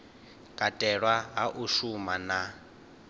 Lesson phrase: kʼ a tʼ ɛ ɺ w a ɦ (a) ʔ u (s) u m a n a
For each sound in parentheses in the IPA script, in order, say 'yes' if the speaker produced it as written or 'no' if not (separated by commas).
yes, no